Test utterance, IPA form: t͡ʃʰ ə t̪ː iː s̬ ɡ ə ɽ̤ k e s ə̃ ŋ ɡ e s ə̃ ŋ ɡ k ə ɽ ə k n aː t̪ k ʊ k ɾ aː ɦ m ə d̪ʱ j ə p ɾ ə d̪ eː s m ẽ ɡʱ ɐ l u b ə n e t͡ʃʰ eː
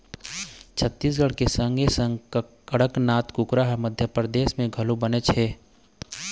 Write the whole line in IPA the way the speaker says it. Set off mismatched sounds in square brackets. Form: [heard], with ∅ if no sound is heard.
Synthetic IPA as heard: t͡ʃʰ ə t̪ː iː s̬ ɡ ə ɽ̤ k e s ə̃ ŋ ɡ e s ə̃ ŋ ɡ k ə ɽ ə k n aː t̪ k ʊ k ɾ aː ɦ m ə d̪ʱ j ə p ɾ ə d̪ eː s m ẽ ɡʱ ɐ l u b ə n e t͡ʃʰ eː

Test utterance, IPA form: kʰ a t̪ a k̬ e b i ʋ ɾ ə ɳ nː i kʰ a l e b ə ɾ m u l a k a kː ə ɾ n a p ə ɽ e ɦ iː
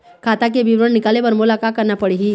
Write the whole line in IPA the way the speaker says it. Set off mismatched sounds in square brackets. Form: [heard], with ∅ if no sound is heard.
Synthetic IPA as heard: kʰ a t̪ a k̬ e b i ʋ ɾ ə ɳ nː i [k] a l e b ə ɾ m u l a k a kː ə ɾ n a p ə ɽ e ɦ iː

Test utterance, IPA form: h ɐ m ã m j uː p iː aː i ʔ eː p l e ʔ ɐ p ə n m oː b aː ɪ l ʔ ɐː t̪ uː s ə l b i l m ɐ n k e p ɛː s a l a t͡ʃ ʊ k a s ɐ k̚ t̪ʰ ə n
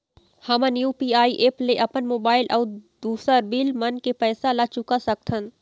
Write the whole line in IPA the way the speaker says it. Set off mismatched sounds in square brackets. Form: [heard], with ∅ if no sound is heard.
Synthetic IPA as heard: h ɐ m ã [n] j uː p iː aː i ʔ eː p l e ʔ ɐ p ə n m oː b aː ɪ l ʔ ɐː [d̪] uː s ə [ɾ] b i l m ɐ n k e p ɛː s a l a t͡ʃ ʊ k a s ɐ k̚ t̪ʰ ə n

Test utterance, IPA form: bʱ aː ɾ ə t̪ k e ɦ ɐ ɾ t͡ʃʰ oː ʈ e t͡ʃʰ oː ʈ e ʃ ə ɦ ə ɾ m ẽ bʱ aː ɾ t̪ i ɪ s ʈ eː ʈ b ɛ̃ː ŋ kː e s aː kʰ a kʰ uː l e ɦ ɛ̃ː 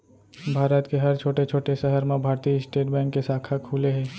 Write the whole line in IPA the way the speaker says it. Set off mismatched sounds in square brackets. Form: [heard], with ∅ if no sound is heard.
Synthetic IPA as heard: bʱ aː ɾ ə t̪ k e ɦ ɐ ɾ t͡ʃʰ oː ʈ e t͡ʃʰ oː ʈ e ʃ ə ɦ ə ɾ m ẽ bʱ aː ɾ t̪ i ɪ s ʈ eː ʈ b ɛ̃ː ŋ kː e s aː kʰ a kʰ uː l e ɦ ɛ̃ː

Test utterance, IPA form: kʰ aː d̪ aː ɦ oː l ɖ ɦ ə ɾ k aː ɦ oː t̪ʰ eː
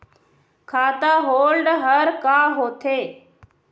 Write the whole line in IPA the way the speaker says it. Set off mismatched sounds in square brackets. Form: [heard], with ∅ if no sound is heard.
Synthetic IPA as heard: kʰ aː [t̪] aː ɦ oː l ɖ ɦ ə ɾ k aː ɦ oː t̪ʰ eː

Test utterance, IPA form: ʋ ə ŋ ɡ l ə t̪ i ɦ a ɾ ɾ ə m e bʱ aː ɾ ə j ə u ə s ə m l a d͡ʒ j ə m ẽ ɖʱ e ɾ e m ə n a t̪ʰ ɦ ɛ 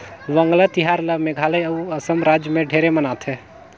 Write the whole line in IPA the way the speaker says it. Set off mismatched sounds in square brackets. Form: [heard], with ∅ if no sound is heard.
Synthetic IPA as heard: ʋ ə ŋ ɡ l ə t̪ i ɦ a ɾ [l] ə m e [ɡʱ] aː [l] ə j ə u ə s ə m [ɾ] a d͡ʒ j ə m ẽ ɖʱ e ɾ e m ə n a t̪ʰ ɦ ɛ

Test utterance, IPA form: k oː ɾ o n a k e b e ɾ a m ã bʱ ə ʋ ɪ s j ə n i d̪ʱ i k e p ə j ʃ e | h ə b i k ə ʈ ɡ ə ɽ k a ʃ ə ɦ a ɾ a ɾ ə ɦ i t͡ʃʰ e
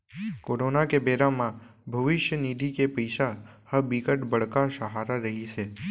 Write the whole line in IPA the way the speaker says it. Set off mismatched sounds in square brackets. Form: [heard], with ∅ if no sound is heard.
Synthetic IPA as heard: k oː ɾ o n a k e b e ɾ a m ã bʱ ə ʋ ɪ [ʃ] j ə n i d̪ʱ i k e p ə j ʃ [a] | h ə b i k ə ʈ [b] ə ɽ k a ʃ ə ɦ a ɾ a ɾ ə ɦ i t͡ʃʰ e

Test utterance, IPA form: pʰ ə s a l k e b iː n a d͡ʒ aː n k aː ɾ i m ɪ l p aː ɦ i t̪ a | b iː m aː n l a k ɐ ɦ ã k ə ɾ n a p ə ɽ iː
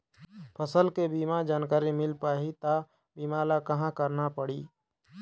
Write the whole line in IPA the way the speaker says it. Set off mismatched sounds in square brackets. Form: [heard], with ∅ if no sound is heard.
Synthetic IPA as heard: pʰ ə s [ə] l k e b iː [m] a d͡ʒ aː n k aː ɾ i m ɪ l p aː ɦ i t̪ a | b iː m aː [∅] l a k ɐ ɦ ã k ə ɾ n a p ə ɽ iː

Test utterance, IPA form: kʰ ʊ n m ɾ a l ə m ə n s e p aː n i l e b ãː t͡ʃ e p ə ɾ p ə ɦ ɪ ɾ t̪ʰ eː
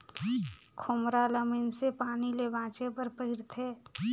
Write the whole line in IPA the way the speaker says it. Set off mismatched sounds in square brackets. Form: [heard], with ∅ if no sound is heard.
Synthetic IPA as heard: kʰ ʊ [∅] m ɾ a l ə m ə n s e p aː n i l e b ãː t͡ʃ e p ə ɾ p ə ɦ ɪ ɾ t̪ʰ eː

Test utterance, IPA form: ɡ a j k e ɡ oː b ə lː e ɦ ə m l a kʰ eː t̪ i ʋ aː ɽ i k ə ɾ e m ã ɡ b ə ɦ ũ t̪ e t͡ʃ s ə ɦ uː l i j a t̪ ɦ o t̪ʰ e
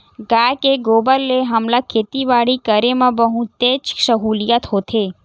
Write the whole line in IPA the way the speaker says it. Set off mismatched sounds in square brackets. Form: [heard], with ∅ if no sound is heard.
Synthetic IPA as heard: ɡ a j k e ɡ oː b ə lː e ɦ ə m l a kʰ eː t̪ i ʋ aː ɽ i k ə ɾ e m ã [∅] b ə ɦ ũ t̪ e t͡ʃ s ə ɦ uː l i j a t̪ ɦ o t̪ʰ e

